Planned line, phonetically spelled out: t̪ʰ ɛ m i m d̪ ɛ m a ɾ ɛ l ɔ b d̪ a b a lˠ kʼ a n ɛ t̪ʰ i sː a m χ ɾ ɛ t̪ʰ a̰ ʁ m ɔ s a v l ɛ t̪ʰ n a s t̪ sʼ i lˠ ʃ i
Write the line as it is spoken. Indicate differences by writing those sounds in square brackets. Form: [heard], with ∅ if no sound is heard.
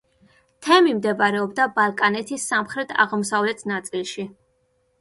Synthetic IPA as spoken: t̪ʰ ɛ m i m d̪ ɛ [b] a ɾ ɛ [∅] ɔ b d̪ a b a lˠ kʼ a n ɛ t̪ʰ i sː a m χ ɾ ɛ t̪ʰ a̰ ʁ m ɔ s a v l ɛ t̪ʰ n a [∅] t̪ sʼ i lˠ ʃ i